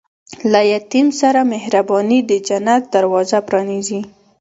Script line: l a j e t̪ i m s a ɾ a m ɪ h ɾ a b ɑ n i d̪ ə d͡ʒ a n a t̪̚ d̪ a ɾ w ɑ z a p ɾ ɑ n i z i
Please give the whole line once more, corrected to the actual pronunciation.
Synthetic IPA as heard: l a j a t̪ i m s a ɾ a m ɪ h ɾ a b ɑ n i d̪ ə d͡ʒ a n a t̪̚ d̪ a ɾ w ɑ z a p ɾ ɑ n i z i